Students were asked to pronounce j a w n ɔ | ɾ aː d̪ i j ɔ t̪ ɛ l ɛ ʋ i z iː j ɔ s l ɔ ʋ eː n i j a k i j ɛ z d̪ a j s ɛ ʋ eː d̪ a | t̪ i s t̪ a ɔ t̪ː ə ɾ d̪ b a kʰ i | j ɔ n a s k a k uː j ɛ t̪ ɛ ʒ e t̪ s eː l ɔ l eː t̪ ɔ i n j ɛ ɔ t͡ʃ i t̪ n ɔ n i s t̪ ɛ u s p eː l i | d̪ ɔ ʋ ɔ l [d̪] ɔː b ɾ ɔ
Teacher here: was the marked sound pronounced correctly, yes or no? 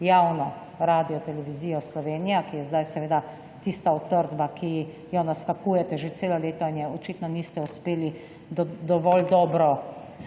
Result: yes